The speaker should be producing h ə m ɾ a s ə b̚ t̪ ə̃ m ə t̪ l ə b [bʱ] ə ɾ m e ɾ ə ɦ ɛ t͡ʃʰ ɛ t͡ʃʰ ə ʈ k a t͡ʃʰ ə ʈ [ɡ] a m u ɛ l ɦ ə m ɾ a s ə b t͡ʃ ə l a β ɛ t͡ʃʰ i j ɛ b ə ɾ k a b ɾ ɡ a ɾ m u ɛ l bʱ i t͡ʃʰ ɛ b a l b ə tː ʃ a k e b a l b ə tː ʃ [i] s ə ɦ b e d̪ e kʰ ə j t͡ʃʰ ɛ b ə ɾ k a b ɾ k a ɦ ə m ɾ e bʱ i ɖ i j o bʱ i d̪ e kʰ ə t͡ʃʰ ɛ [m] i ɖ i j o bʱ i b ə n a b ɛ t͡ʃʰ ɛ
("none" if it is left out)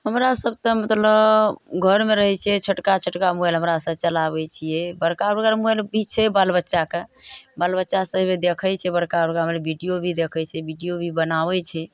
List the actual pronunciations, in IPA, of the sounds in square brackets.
ɡʱ, k, a, b

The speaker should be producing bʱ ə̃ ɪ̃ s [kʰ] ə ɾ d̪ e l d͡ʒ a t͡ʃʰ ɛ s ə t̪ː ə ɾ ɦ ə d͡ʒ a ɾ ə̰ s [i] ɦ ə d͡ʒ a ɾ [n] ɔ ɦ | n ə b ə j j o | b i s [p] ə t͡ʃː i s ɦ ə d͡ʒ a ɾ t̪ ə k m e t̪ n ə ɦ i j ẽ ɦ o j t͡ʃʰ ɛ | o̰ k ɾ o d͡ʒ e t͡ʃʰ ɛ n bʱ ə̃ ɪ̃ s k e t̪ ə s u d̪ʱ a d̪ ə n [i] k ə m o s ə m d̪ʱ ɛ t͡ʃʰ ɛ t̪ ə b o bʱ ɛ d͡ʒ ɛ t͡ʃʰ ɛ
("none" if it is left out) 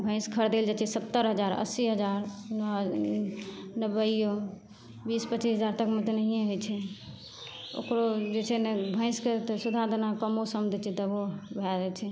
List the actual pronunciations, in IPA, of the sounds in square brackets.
kʰ, i, n, p, a

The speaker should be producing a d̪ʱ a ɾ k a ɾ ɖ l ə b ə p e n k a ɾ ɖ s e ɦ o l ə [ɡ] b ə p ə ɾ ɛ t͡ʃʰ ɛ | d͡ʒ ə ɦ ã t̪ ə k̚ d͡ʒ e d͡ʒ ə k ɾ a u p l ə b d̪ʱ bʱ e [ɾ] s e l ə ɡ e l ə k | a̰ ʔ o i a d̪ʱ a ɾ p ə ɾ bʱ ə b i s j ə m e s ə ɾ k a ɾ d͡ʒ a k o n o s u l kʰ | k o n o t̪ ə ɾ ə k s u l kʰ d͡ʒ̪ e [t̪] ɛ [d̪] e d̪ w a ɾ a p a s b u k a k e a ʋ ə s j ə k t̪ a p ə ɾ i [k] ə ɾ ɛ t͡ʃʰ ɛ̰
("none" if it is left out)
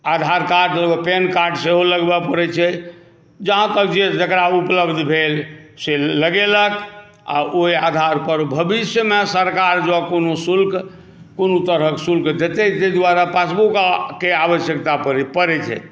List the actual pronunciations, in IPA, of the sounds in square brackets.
ɡ, l, t̪, t̪, p

